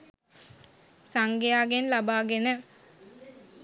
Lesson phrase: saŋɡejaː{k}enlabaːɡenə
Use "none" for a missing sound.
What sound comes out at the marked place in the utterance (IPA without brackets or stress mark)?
ɡ